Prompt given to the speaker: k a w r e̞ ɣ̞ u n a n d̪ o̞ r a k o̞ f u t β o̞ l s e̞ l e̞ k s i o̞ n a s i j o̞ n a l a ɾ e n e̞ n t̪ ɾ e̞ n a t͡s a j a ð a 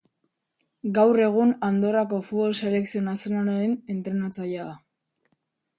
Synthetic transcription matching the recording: ɡ a w r e̞ ɣ̞ u n a n d̪ o̞ r a k o̞ f u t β o̞ l s e̞ l e̞ k s i o̞ n a s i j o̞ n a l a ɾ e n e̞ n t̪ ɾ e̞ n a t͡s a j a ð a